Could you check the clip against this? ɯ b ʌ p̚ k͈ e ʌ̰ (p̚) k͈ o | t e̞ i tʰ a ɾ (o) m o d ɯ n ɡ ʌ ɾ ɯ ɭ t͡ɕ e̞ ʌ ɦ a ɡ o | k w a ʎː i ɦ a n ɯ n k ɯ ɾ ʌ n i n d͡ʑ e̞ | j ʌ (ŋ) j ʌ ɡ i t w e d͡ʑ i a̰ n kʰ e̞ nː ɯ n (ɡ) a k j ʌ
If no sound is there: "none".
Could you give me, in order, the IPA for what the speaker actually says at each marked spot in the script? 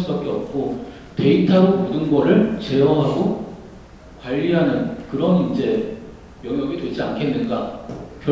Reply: p̚, o, ŋ, ɡ

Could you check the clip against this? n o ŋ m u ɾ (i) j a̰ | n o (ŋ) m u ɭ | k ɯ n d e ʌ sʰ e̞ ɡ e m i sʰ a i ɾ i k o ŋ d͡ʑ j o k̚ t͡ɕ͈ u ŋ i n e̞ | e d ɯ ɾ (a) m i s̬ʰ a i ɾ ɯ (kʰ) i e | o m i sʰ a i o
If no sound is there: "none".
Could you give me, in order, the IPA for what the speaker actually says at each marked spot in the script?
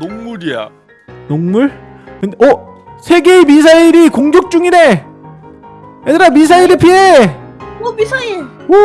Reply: i, ŋ, a, pʰ

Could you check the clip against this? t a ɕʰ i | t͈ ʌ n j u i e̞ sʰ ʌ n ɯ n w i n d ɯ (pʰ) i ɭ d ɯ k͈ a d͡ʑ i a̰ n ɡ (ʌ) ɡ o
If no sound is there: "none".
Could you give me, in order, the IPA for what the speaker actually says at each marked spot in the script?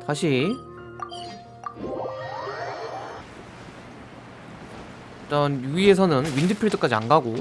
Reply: pʰ, a

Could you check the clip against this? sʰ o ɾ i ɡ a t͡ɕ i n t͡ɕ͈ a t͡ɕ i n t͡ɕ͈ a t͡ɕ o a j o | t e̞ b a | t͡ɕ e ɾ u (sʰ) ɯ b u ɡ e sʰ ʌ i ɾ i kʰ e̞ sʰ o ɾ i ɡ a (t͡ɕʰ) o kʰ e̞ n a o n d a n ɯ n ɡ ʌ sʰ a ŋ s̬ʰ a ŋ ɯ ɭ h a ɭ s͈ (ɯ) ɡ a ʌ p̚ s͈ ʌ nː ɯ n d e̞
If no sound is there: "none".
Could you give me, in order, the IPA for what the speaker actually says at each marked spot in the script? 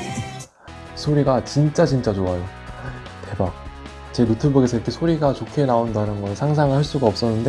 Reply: tʰ, t͡ɕ, u

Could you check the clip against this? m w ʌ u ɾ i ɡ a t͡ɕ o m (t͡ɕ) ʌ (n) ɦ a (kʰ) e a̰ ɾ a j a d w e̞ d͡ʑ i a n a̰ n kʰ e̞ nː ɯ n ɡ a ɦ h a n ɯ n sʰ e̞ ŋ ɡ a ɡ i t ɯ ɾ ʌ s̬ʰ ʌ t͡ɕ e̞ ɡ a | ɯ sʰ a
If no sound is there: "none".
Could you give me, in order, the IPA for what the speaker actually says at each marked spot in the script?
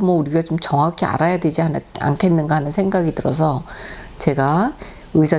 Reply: t͡ɕ, ŋ, kʰ

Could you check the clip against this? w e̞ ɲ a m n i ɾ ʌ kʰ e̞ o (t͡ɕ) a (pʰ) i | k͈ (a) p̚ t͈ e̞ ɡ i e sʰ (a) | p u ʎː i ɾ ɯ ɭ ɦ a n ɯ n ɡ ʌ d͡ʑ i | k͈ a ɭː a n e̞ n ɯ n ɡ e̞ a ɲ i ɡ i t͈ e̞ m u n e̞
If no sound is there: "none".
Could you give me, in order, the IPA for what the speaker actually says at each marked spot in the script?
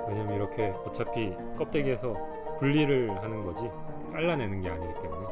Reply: t͡ɕʰ, pʰ, ʌ, ʌ

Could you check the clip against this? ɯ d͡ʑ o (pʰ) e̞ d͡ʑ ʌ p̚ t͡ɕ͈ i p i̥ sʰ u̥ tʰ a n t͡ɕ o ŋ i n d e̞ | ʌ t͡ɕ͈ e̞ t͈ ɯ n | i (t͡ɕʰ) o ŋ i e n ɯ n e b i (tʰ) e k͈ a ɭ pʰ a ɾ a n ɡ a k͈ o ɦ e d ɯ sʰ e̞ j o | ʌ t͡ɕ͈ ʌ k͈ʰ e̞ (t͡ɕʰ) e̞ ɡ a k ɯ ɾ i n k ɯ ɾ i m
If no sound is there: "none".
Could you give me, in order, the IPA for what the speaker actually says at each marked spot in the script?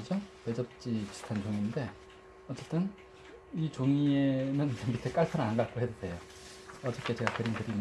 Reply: p, t͡ɕ, tʰ, t͡ɕ

